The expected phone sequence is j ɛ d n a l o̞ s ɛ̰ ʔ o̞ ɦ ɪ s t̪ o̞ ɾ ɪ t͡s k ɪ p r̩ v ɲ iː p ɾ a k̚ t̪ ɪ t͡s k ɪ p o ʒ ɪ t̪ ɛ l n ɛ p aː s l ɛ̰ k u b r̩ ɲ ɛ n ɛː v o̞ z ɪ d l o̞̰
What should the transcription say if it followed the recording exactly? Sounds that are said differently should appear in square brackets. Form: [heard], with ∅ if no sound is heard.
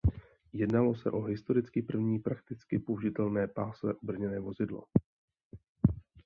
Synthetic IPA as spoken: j ɛ d n a l o̞ s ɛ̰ ʔ o̞ ɦ ɪ s t̪ o̞ ɾ ɪ t͡s k ɪ p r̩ v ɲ iː p ɾ a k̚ t̪ ɪ t͡s k ɪ p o ʒ ɪ t̪ ɛ l n [ɛː] p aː s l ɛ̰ [ʔ] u b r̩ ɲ ɛ n ɛː v o̞ z ɪ d l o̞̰

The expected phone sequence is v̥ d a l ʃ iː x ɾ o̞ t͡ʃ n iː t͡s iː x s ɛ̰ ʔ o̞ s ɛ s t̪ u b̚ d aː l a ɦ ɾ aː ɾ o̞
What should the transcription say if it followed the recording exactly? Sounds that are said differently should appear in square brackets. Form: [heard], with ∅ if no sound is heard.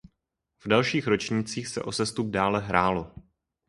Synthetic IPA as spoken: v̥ d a l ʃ iː x ɾ o̞ t͡ʃ [ɲ] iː t͡s iː x s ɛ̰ ʔ o̞ s ɛ s t̪ u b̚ d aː l [ɛ] ɦ ɾ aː [l] o̞

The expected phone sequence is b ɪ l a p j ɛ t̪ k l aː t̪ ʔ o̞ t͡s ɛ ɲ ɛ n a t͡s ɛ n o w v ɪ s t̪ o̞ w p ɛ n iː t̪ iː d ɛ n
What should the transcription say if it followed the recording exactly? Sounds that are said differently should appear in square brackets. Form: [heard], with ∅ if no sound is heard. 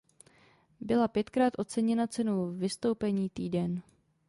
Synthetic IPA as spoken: b ɪ l a p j ɛ t̪ k [ɾ] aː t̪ ʔ o̞ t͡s ɛ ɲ ɛ n a t͡s ɛ n o w v ɪ s t̪ o̞ w p ɛ [ɲ] iː t̪ iː d ɛ n

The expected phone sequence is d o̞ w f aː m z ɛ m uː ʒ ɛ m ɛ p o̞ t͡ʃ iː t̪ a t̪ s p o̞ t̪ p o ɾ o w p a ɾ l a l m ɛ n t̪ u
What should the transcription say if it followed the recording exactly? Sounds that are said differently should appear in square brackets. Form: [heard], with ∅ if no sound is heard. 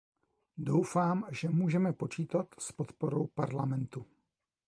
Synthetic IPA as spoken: d o̞ w f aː m [ʒ] ɛ m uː ʒ ɛ m ɛ p o̞ t͡ʃ iː t̪ a t̪ s p o̞ t̪ p o ɾ o w p a ɾ l a [∅] m ɛ n t̪ u

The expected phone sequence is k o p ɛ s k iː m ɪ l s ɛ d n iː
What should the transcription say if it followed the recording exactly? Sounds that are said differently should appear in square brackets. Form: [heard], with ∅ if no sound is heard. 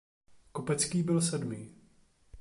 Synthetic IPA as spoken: k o p ɛ [t͡s] k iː [b] ɪ l s ɛ d [m] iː

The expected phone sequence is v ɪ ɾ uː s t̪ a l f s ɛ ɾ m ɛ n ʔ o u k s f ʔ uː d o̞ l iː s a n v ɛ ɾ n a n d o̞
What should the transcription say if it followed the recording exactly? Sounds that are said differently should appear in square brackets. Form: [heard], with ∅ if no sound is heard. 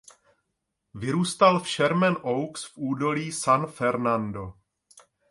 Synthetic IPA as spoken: v ɪ ɾ uː s t̪ a l f [ʃ] ɛ ɾ m ɛ n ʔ o [w] k s f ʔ uː d o̞ l iː s a n [f] ɛ ɾ n a n d o̞

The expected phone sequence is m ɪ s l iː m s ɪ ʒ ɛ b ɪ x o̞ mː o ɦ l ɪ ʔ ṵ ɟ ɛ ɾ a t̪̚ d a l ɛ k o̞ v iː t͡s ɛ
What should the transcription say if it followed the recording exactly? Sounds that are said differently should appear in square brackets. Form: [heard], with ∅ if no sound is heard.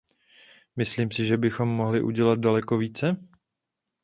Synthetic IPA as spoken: m ɪ s l iː m s ɪ ʒ ɛ b ɪ x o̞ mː o ɦ l ɪ ʔ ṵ ɟ ɛ [l] a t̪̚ d a l ɛ k o̞ v iː t͡s ɛ

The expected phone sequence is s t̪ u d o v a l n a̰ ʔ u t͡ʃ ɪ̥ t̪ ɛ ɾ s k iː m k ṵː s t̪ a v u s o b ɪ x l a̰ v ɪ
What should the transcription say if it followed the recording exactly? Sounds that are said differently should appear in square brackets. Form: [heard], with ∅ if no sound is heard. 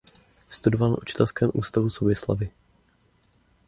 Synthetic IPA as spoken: s t̪ u d o v a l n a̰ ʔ u t͡ʃ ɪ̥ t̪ ɛ [l] s k [ɛː] m [ʔ] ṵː s t̪ a v u s o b ɪ [s] l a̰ v ɪ

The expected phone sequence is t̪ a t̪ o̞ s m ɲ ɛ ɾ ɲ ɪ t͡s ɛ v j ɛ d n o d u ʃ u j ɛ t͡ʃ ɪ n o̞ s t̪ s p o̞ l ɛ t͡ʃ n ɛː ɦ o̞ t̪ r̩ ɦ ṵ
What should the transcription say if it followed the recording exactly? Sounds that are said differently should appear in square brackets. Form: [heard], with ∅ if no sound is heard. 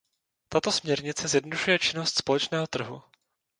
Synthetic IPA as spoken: t̪ a t̪ o̞ s m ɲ ɛ ɾ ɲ ɪ t͡s ɛ [z] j ɛ d n o d u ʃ u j ɛ t͡ʃ ɪ n o̞ s t̪ s p o̞ l ɛ t͡ʃ n ɛː ɦ o̞ t̪ r̩ ɦ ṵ

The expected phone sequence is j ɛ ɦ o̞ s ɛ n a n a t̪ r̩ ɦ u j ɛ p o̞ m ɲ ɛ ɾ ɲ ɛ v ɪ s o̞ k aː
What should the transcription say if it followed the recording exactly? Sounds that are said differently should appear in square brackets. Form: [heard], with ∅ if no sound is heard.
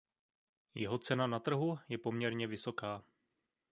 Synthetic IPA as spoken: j ɛ ɦ o̞ [t͡s] ɛ n a n a t̪ r̩ ɦ u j ɛ p o̞ m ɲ ɛ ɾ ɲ ɛ v ɪ s o̞ k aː

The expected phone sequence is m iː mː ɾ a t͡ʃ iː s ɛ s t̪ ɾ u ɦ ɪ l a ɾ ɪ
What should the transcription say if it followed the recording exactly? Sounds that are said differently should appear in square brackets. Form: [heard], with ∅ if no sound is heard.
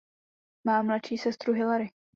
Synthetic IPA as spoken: m [aː] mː [l] a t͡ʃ iː s ɛ s t̪ ɾ u ɦ ɪ l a ɾ ɪ

